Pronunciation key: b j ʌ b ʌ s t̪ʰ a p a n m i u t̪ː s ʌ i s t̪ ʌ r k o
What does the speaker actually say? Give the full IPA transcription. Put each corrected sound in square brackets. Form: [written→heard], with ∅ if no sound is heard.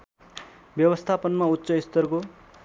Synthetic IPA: b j ʌ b ʌ s t̪ʰ a p [a→ʌ] n m [i→a] u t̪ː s ʌ i s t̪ ʌ r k o